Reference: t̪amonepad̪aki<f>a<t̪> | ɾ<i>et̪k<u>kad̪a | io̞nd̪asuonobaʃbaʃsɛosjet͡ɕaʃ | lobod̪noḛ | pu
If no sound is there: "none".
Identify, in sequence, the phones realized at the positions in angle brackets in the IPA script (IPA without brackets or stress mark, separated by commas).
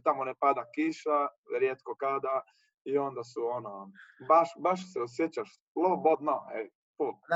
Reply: ʃ, none, j, o